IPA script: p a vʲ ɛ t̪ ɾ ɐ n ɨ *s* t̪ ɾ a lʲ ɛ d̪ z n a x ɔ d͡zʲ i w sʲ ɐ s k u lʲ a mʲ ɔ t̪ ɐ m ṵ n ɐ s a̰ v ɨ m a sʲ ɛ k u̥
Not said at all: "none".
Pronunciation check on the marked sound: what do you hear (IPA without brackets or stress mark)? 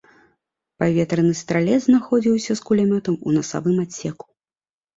s